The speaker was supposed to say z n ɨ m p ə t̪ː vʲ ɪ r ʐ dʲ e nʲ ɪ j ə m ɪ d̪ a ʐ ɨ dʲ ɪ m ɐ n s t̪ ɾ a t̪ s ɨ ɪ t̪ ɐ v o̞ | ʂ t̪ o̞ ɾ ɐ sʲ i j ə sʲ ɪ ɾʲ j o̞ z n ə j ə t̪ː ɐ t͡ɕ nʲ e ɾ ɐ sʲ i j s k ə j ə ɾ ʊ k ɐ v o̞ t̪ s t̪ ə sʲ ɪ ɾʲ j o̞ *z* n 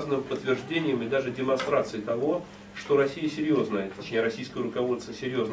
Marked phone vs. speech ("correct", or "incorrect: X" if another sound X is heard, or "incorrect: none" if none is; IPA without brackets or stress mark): correct